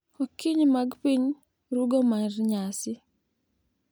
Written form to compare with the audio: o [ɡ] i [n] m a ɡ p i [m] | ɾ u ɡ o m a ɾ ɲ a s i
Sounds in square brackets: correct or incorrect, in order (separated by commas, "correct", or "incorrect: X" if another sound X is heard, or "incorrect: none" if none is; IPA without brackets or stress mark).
incorrect: k, incorrect: ɲ, incorrect: ɲ